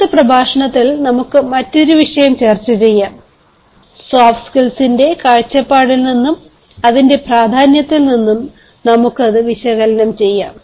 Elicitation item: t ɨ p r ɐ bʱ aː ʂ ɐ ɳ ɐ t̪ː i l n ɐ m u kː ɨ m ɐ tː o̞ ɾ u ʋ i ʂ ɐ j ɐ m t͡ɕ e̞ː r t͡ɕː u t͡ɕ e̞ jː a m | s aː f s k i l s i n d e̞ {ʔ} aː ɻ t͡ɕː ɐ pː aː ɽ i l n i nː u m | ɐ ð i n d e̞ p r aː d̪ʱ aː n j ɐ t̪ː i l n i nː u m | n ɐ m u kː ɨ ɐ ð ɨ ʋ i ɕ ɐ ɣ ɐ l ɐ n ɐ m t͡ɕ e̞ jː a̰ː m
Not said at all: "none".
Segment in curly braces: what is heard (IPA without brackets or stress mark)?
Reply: k